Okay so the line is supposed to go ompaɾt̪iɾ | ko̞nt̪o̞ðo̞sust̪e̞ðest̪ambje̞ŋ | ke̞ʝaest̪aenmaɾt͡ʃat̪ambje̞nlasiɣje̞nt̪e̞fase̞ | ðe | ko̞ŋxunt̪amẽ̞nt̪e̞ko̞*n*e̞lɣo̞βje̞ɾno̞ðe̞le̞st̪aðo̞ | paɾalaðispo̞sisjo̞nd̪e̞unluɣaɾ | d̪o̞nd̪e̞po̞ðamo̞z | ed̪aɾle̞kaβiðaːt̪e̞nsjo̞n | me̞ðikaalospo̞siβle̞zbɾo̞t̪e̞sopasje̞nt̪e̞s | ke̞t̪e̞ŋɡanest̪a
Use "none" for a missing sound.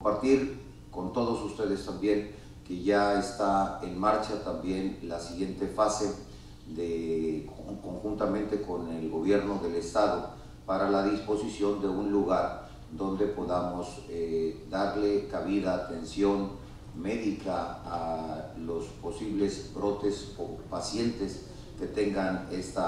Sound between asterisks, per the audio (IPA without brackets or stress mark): n